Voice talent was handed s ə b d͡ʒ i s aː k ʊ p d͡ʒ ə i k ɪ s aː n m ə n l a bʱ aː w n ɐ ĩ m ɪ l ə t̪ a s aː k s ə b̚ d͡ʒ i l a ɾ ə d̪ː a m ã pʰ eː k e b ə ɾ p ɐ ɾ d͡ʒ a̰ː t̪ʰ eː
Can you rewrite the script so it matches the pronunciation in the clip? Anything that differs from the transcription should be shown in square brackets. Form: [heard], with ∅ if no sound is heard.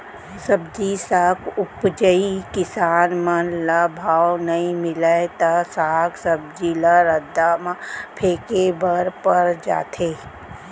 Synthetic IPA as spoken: s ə b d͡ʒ i s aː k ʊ p d͡ʒ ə i k ɪ s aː n m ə n l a bʱ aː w n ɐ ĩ m ɪ l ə t̪ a s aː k s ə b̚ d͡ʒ i l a ɾ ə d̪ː a m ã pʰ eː k e b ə ɾ p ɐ ɾ d͡ʒ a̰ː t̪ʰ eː